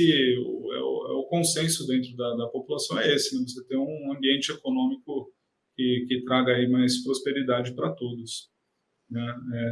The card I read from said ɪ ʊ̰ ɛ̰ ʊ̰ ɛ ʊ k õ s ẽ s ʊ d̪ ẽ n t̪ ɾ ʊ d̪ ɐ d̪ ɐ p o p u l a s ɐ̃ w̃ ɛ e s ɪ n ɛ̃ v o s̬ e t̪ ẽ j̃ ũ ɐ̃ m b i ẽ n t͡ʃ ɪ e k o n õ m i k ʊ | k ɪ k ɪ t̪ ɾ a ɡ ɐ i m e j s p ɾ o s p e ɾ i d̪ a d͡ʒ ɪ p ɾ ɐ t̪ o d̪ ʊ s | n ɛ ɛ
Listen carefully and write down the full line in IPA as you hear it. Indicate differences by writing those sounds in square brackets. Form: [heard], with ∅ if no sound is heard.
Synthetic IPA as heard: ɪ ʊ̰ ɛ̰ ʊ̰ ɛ ʊ k õ s ẽ s ʊ d̪ ẽ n t̪ ɾ ʊ d̪ ɐ d̪ ɐ p o p u l a s ɐ̃ w̃ ɛ e s ɪ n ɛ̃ v o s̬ e t̪ ẽ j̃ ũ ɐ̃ m b i ẽ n t͡ʃ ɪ e k o n õ m i k ʊ | k ɪ k ɪ t̪ ɾ a ɡ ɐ i m [a] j s p ɾ o s p e ɾ i d̪ a d͡ʒ ɪ p ɾ ɐ t̪ o d̪ ʊ s | n ɛ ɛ